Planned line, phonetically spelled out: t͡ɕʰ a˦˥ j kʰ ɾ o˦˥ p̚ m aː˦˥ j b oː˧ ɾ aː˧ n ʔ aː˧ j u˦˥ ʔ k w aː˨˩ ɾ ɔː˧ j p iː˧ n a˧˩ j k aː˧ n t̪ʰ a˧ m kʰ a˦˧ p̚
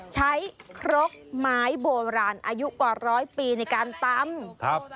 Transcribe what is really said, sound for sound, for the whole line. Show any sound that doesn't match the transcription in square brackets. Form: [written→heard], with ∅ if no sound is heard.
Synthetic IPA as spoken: t͡ɕʰ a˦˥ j kʰ ɾ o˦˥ [p̚→k̚] m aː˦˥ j b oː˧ ɾ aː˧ n ʔ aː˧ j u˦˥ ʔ k w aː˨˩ ɾ [ɔː˧→ɔː˦˥] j p iː˧ n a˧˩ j k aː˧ n [t̪ʰ→t̪] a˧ m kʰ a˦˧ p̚